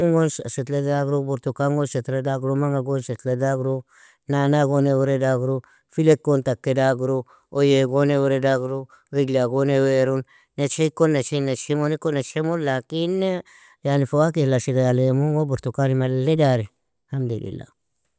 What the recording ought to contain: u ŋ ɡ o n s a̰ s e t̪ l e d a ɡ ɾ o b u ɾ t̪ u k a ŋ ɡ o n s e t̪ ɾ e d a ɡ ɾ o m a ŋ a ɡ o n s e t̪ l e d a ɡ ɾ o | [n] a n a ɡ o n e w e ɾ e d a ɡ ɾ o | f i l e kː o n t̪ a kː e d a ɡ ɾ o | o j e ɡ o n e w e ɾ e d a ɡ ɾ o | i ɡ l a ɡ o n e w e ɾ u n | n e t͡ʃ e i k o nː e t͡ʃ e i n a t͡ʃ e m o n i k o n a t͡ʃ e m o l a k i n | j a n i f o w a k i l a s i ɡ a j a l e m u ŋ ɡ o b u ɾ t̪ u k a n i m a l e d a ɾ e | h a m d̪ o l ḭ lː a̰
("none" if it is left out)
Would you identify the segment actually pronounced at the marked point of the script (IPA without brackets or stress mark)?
n